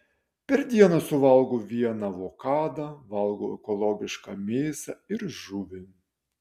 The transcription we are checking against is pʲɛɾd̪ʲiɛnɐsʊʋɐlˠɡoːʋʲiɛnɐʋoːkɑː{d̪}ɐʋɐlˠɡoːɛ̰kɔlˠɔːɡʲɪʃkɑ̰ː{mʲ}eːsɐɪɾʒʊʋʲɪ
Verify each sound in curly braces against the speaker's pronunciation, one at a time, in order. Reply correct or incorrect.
correct, correct

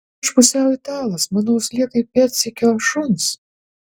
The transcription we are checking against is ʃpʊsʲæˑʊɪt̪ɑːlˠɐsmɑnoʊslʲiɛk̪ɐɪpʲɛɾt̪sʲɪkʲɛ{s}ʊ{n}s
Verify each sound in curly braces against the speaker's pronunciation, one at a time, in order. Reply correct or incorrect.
incorrect: ʃ, correct

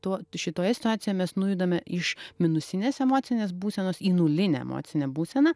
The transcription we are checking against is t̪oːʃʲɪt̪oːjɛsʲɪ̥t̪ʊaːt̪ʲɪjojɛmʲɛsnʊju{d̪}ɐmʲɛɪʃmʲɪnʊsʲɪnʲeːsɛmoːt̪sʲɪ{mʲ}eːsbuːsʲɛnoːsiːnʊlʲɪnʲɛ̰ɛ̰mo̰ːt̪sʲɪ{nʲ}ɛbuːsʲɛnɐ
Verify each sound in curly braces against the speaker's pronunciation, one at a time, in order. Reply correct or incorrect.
correct, incorrect: nʲ, correct

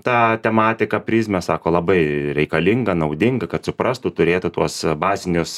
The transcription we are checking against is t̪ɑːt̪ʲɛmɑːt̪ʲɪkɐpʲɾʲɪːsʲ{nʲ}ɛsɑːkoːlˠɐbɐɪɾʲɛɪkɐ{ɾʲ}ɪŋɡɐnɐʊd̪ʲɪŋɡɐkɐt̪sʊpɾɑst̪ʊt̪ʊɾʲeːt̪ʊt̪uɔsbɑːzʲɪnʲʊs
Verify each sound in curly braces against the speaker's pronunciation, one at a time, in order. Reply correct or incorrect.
incorrect: mʲ, incorrect: lʲ

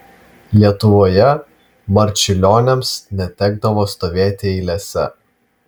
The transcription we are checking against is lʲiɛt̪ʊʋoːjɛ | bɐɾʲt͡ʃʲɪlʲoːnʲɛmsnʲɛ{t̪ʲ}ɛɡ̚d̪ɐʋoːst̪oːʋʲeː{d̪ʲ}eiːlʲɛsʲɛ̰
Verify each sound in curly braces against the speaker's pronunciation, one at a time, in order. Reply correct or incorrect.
correct, incorrect: t̪ʲ

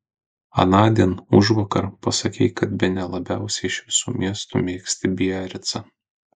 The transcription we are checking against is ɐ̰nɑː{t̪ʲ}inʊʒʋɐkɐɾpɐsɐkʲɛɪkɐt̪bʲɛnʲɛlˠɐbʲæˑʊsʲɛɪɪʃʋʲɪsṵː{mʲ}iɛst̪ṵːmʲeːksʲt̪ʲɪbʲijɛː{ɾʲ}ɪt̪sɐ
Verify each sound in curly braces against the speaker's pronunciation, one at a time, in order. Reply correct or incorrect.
incorrect: d̪ʲ, correct, correct

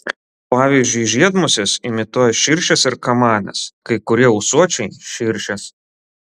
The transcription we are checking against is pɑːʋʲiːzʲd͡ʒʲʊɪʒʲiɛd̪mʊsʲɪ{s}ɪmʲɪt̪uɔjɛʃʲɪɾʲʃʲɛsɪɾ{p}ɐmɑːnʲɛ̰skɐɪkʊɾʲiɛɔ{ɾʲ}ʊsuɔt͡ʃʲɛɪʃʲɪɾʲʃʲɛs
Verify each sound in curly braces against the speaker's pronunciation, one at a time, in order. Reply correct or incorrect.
correct, incorrect: k, incorrect: none

